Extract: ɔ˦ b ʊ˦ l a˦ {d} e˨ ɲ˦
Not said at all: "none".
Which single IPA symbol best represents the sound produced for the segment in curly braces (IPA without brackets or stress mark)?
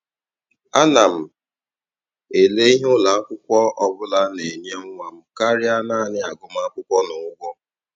n